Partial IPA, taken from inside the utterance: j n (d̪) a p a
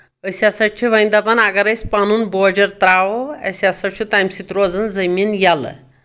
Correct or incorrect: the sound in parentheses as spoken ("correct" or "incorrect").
correct